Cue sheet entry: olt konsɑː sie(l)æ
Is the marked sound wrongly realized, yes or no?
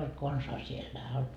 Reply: yes